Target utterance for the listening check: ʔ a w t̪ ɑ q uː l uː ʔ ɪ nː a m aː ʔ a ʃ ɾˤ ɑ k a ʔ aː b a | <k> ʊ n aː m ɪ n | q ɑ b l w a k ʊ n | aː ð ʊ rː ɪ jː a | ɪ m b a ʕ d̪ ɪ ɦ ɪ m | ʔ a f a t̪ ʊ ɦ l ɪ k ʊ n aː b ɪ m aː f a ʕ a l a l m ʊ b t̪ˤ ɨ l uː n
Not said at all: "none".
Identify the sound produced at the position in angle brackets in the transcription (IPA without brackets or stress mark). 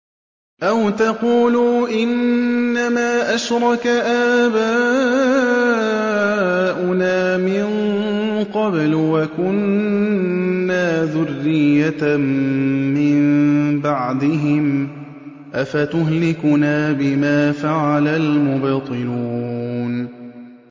ʔ